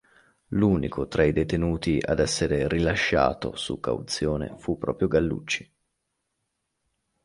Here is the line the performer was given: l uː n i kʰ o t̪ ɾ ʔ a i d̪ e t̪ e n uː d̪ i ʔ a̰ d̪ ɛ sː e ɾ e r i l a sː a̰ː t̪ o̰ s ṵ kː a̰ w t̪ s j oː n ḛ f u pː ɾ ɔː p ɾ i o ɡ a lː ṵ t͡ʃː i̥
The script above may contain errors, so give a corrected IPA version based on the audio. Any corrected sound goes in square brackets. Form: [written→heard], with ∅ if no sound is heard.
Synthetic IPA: l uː n i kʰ o t̪ ɾ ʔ a i d̪ e t̪ e n uː [d̪→t̪] i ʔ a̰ d̪ ɛ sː e ɾ e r i l a [sː→ʃː] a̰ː t̪ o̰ s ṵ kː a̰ w t̪ s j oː n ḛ f u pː ɾ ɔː p ɾ [i→j] o ɡ a lː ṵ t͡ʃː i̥